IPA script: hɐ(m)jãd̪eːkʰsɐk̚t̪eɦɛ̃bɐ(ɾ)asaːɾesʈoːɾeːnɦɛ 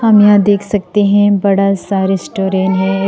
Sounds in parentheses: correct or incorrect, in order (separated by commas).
correct, incorrect